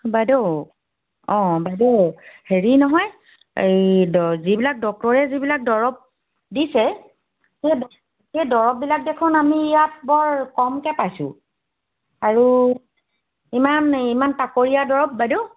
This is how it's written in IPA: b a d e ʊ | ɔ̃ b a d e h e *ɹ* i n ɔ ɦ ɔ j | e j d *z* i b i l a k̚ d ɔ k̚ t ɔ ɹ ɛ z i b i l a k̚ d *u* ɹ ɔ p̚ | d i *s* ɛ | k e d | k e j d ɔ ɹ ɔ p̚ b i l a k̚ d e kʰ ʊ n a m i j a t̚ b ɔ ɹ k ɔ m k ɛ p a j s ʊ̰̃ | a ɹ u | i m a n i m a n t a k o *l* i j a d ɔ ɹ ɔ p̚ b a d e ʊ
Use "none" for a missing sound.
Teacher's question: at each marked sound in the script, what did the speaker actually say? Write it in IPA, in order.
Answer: ɹ, z, ɔ, s, ɹ

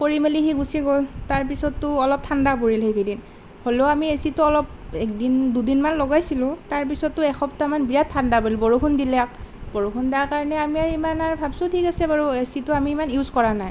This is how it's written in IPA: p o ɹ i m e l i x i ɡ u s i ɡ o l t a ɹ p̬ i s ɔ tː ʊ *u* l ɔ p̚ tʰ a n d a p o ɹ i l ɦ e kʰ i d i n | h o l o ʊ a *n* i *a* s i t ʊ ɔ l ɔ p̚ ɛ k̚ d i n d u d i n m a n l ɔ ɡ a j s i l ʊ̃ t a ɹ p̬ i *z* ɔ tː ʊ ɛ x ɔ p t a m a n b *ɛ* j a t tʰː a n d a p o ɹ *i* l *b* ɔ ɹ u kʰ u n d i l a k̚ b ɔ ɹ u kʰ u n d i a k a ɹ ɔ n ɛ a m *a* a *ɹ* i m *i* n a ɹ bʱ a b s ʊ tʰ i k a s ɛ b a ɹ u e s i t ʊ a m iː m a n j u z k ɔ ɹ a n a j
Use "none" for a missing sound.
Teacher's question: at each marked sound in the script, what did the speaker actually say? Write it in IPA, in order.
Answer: ɔ, m, e, s, i, i, b, i, ɹ, a

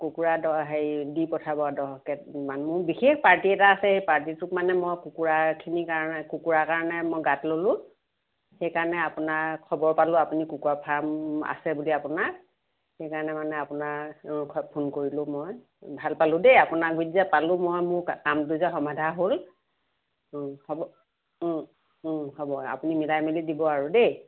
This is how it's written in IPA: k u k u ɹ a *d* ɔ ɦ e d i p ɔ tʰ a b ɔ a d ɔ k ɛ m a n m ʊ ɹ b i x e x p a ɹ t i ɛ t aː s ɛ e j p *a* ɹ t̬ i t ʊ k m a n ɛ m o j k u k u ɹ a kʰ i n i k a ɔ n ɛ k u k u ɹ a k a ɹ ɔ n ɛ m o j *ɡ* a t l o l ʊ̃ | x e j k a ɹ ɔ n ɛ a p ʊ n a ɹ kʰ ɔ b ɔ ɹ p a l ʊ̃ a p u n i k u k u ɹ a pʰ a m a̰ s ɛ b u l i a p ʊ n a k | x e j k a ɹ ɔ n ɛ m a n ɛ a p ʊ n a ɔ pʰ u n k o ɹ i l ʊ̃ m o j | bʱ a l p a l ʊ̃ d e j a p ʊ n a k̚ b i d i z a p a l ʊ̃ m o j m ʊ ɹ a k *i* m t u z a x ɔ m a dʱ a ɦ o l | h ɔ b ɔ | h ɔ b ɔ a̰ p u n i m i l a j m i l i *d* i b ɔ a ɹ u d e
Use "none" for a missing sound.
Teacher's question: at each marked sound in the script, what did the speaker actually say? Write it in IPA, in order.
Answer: d, a, ɡ, a, d

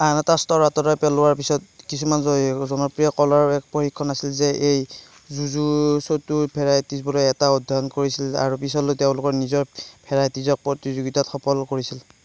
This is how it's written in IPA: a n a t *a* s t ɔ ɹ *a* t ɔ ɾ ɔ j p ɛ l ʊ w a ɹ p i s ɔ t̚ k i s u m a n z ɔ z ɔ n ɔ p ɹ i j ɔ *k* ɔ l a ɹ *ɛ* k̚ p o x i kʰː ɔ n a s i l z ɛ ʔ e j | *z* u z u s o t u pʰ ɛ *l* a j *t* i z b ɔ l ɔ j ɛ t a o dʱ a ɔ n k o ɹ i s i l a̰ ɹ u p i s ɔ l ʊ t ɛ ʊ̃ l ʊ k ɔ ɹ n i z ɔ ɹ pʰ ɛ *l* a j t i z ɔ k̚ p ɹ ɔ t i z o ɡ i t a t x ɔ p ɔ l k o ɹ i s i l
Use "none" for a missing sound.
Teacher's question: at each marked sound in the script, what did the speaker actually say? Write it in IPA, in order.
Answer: a, a, k, ɛ, z, ɹ, t, ɹ

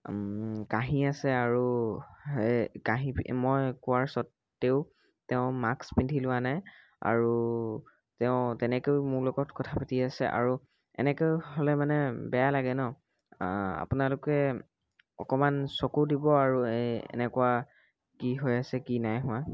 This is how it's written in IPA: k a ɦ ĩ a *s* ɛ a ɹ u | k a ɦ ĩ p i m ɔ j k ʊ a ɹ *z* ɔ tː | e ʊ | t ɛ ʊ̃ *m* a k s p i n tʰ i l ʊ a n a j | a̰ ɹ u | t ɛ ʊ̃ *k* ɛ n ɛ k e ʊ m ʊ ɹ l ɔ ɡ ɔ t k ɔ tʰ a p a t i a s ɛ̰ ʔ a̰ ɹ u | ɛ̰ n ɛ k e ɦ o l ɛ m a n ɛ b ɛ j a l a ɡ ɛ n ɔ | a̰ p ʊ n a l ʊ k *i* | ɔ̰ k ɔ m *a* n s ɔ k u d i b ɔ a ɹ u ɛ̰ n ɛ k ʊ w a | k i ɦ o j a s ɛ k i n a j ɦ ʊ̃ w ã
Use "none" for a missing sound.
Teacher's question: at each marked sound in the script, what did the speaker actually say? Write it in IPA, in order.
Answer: s, s, m, t, ɛ, a

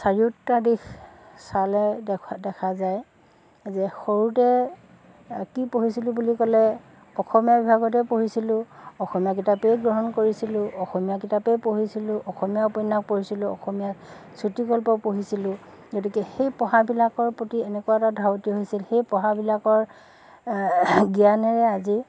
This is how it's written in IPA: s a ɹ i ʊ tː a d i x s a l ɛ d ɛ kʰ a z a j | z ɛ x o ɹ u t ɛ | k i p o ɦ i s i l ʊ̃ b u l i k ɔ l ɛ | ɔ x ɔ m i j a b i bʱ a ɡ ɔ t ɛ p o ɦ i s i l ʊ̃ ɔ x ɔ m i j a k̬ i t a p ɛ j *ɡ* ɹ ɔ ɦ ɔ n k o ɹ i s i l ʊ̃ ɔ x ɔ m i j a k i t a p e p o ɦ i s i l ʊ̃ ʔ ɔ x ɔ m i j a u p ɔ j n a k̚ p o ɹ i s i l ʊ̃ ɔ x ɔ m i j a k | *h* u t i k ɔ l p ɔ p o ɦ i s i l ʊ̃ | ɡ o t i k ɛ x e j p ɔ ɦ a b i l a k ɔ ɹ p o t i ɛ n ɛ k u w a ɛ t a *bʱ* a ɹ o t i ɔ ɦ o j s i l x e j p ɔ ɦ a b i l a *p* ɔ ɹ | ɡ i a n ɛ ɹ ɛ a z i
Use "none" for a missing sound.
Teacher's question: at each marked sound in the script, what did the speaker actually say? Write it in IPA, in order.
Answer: ɡ, s, dʱ, k

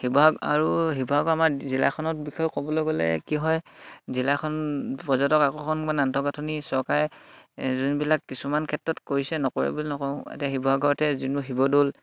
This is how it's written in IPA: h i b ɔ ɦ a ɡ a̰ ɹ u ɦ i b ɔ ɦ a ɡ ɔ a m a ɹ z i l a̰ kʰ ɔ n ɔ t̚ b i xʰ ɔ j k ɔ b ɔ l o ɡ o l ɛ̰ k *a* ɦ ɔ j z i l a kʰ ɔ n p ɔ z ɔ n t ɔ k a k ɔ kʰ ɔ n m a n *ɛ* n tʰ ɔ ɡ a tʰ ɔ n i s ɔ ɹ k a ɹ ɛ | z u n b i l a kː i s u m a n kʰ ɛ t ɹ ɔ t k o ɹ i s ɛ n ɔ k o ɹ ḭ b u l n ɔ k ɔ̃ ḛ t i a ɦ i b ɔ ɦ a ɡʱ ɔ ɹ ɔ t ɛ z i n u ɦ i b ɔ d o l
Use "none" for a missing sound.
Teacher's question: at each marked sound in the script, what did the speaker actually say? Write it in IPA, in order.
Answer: i, a

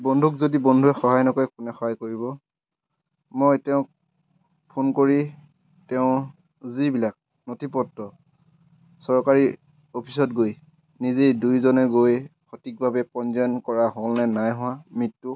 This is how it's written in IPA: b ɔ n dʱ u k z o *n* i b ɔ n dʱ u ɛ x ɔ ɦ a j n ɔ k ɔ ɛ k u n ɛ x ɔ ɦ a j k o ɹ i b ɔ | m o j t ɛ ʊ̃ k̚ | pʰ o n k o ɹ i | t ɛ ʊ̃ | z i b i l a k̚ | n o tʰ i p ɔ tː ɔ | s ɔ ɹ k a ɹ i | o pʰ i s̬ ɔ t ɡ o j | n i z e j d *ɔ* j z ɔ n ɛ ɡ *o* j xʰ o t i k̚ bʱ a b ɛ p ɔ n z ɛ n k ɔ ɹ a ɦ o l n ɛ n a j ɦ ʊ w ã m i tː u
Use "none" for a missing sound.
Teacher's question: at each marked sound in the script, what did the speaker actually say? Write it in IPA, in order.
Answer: d, u, o

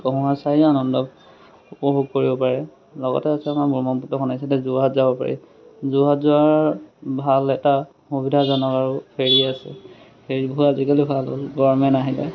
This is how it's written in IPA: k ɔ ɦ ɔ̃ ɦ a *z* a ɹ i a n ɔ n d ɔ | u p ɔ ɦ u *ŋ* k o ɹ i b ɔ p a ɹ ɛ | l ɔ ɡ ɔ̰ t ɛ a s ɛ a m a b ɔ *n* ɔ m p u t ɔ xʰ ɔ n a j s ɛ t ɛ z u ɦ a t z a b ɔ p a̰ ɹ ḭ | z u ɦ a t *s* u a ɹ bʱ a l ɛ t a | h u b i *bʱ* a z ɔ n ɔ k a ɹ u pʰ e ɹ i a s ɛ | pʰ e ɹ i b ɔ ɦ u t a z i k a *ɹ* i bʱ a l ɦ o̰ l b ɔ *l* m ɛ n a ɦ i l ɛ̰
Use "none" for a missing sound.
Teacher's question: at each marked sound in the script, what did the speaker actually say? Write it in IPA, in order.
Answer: s, ɡ, m, z, dʱ, l, ɹ

